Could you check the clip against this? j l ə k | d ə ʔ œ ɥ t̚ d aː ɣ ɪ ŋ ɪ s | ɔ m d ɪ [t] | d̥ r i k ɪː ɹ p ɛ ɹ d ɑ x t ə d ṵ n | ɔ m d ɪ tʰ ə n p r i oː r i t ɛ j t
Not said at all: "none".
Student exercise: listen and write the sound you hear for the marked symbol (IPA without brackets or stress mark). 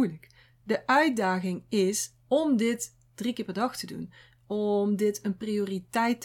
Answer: t